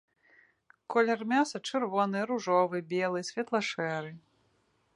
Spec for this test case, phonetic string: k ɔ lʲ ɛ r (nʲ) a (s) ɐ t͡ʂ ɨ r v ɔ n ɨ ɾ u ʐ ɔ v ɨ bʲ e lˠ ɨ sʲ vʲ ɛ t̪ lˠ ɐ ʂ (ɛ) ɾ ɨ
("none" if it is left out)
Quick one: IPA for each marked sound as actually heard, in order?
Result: mʲ, s, ɛ

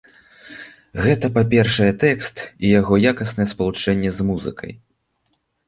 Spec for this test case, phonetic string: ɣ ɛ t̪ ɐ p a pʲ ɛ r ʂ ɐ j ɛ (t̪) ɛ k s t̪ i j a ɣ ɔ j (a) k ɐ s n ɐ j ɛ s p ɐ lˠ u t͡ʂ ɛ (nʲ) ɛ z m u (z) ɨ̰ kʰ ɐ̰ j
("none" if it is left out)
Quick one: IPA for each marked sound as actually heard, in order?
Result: t̪, a, nʲː, z

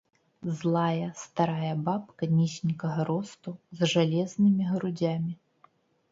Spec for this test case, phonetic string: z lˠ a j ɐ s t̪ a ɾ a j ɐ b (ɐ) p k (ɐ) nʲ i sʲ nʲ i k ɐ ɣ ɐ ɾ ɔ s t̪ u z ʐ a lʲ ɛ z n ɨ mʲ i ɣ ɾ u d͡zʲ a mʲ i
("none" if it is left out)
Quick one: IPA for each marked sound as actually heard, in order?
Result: a, ɐ

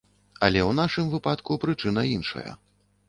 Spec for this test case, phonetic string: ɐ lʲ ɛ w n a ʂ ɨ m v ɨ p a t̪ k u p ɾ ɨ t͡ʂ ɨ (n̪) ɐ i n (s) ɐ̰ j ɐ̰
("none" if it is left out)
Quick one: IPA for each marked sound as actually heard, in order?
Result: n̪, ʂ

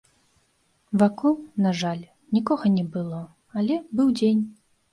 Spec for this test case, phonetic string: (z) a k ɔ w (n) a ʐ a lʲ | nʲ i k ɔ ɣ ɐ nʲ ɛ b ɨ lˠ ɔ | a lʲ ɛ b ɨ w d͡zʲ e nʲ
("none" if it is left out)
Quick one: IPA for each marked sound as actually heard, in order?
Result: v, n

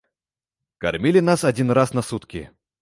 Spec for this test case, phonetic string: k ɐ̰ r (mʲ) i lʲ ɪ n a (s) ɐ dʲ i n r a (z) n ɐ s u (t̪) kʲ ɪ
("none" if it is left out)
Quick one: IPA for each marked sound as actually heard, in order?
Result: mʲ, s, s, t̪

